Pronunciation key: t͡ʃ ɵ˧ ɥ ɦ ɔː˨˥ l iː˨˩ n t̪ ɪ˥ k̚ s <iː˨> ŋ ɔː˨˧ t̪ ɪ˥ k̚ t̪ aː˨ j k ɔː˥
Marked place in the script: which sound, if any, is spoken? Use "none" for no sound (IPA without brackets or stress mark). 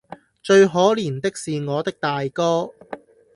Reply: iː˨